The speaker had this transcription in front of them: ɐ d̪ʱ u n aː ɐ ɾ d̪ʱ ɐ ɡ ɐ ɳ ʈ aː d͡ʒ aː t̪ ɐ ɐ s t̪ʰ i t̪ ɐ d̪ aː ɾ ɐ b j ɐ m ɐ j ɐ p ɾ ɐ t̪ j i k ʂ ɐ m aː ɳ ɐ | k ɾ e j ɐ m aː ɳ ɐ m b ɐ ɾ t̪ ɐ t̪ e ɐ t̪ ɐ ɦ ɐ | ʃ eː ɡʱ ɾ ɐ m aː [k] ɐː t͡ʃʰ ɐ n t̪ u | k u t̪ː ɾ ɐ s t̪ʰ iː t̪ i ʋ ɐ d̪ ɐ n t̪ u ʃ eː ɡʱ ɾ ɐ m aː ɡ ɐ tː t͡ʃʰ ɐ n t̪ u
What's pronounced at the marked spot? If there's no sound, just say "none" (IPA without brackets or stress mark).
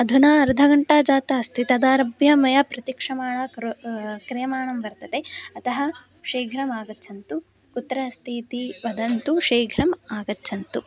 ɡ